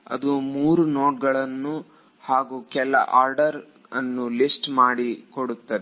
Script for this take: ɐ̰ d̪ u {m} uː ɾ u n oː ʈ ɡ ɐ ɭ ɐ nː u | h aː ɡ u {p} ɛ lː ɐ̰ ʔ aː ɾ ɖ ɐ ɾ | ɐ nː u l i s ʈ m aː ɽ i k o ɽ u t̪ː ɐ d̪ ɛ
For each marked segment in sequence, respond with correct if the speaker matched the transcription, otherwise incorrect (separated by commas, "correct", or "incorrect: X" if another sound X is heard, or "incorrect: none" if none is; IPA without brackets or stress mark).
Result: correct, incorrect: k